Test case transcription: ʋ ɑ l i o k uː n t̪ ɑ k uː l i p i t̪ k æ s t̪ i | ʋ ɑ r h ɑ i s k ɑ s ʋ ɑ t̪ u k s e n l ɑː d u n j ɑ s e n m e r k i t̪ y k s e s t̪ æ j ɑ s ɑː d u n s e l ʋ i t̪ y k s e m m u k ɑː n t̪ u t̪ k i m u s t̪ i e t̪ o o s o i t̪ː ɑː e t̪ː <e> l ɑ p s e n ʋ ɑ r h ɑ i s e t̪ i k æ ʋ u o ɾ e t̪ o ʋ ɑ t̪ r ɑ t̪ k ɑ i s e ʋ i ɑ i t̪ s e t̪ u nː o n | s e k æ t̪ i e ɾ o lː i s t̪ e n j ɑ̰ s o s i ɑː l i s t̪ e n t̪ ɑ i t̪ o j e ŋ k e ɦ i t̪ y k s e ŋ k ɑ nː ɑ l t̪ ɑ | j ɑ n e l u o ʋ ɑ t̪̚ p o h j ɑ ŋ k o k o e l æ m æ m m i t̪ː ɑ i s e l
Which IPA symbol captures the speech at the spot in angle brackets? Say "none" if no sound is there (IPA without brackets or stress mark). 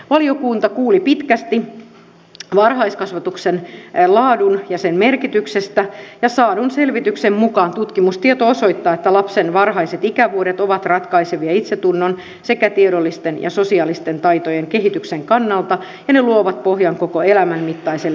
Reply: æ